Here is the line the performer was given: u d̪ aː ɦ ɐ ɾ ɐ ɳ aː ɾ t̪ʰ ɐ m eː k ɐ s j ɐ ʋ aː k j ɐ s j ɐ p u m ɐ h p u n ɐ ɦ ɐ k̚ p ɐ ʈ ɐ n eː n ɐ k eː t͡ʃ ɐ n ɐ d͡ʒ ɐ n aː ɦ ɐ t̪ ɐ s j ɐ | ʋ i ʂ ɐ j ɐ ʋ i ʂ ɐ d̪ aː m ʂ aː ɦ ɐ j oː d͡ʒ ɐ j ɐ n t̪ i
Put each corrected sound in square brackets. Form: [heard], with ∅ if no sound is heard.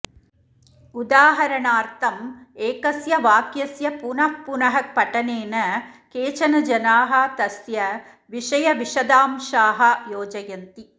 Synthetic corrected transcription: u d̪ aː ɦ ɐ ɾ ɐ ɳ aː ɾ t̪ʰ ɐ m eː k ɐ s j ɐ ʋ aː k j ɐ s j ɐ p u [n] ɐ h p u n ɐ ɦ ɐ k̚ p ɐ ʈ ɐ n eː n ɐ k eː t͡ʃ ɐ n ɐ d͡ʒ ɐ n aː ɦ ɐ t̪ ɐ s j ɐ | ʋ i ʂ ɐ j ɐ ʋ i ʂ ɐ d̪ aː m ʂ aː ɦ ɐ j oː d͡ʒ ɐ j ɐ n t̪ i